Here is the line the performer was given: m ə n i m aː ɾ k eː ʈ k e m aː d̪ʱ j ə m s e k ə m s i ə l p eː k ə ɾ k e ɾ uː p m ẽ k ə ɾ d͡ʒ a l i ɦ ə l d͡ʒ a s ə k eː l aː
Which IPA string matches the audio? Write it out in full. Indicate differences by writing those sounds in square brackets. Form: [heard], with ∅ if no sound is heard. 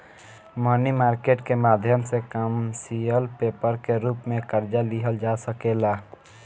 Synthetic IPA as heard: m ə n i m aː ɾ k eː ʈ k e m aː d̪ʱ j ə m s e k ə m s i ə l p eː [p] ə ɾ k e ɾ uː p m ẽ k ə ɾ d͡ʒ a l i ɦ ə l d͡ʒ a s ə k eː l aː